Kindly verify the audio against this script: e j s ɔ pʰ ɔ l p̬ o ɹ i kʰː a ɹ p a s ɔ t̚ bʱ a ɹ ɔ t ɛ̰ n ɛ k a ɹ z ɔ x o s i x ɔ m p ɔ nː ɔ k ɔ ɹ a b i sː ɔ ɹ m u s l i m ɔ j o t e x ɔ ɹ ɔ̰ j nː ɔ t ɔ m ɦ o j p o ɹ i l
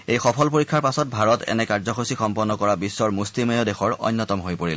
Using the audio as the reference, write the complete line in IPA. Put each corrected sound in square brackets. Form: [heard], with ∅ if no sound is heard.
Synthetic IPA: e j [x] ɔ pʰ ɔ l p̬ o ɹ i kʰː a ɹ p a s ɔ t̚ bʱ a ɹ ɔ t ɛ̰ n ɛ k a ɹ z ɔ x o s i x ɔ m p ɔ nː ɔ k ɔ ɹ a b i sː ɔ ɹ m u s l i m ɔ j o [d] e x ɔ ɹ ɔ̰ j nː ɔ t ɔ m ɦ o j p o ɹ i l